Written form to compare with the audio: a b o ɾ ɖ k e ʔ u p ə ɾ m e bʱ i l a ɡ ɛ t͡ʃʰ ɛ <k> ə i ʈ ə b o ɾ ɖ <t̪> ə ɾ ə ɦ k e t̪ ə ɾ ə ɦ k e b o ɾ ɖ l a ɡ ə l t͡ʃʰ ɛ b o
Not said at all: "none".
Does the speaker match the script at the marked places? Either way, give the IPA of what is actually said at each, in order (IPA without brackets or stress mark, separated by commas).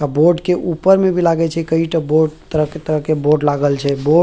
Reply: k, t̪